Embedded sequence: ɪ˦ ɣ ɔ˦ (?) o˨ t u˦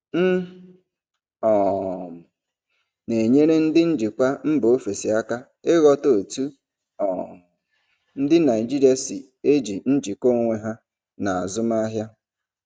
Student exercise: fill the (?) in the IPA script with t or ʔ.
t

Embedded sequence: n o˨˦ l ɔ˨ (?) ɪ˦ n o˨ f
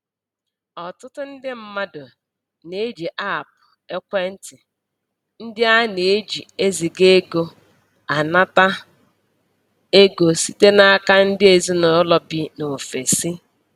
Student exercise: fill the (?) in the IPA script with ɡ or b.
b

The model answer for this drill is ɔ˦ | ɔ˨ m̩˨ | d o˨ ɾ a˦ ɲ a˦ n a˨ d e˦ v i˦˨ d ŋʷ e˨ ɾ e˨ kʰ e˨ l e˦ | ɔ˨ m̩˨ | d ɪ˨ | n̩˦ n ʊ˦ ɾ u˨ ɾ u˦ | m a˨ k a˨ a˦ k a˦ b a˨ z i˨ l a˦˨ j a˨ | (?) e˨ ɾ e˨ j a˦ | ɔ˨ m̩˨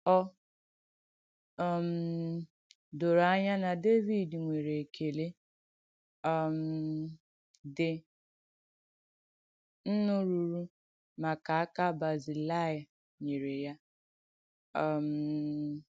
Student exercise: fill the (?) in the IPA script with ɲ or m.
ɲ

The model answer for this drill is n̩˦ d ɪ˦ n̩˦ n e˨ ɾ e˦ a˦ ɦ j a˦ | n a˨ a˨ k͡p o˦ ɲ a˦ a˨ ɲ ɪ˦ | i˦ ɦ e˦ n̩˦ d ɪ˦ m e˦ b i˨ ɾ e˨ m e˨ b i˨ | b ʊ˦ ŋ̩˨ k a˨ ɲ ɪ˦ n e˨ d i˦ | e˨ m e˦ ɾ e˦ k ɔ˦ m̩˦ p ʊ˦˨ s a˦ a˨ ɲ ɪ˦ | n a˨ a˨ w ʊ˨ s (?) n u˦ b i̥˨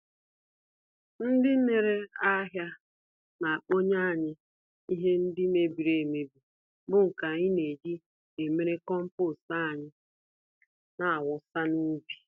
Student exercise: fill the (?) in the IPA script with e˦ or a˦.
a˦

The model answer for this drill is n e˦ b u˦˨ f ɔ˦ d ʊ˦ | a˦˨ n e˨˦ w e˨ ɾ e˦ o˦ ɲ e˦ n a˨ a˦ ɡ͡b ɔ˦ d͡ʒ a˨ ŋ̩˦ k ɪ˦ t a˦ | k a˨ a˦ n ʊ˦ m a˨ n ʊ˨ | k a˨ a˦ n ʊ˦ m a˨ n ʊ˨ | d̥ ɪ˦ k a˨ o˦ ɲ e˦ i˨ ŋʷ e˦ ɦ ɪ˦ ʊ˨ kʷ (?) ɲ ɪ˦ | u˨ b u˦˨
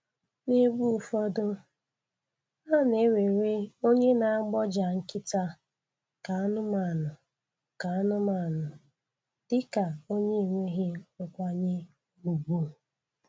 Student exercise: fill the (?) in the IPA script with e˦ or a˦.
a˦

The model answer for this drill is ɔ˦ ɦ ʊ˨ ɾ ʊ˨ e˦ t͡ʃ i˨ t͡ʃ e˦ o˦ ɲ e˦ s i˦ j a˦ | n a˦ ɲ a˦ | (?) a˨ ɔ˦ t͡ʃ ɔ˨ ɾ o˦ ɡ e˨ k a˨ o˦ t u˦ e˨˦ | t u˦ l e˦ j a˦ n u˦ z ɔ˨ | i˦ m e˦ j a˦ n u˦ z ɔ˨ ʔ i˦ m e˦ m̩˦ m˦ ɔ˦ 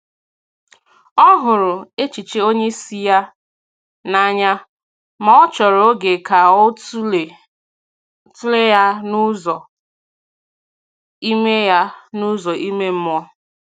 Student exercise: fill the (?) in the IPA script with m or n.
m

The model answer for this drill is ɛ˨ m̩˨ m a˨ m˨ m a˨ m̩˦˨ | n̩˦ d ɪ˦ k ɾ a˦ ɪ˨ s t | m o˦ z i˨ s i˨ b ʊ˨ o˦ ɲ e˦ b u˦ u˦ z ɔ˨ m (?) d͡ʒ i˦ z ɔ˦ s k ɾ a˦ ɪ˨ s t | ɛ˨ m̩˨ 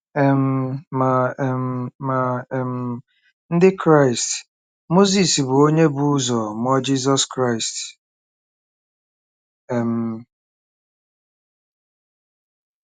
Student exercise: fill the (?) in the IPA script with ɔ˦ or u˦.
ɔ˦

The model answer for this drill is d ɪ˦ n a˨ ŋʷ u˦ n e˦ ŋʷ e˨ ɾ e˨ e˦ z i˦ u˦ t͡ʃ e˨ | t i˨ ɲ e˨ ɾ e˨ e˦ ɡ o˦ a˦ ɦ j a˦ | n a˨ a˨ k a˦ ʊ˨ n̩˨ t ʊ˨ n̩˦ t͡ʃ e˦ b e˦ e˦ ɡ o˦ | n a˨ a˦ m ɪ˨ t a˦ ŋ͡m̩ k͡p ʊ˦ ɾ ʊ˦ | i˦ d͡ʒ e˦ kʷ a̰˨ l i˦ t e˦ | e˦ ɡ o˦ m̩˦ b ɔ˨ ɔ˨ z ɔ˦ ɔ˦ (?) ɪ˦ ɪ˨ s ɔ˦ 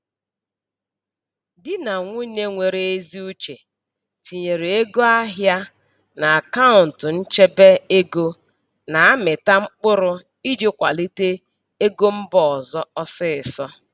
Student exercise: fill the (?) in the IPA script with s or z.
s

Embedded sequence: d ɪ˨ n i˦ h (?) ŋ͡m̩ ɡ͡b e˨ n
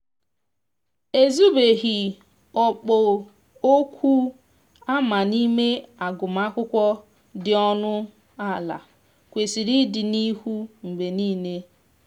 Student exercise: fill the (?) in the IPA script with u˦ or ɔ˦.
u˦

